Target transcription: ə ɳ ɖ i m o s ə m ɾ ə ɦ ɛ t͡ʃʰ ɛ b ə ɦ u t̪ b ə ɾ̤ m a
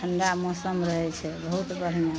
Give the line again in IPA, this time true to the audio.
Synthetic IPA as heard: ə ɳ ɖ a m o s ə m ɾ ə ɦ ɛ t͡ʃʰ ɛ b ə ɦ u t̪ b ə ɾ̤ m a